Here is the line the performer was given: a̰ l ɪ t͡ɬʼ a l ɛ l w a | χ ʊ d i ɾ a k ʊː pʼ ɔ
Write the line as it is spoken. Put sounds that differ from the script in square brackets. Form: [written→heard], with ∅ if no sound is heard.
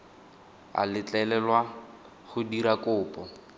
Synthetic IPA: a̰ l ɪ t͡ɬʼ [a→ɛ] l ɛ l w a | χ ʊ d i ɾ a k ʊː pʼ ɔ

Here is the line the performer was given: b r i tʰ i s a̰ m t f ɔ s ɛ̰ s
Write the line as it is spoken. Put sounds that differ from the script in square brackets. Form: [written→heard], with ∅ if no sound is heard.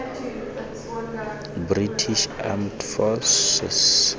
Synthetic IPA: b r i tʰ i [s→ʃ] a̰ m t f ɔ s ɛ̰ s

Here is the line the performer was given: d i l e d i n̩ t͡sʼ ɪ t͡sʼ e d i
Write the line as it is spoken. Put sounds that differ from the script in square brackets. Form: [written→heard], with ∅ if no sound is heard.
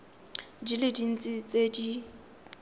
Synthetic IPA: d i l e d i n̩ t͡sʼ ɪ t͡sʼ e d i

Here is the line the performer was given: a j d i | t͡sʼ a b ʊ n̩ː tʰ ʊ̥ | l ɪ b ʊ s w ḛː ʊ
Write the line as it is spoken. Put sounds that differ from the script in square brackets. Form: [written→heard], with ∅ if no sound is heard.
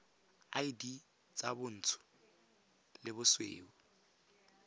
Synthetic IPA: a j d i | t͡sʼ a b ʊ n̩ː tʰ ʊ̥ | l ɪ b ʊ s w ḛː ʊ

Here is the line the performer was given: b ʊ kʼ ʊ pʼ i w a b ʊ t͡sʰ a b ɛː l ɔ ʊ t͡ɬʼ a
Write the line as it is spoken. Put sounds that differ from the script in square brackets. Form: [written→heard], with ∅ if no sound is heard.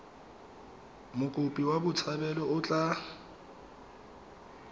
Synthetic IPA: [b→m] ʊ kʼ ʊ pʼ i w a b ʊ t͡sʰ a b [ɛː→ɛ] l ɔ ʊ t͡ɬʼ a

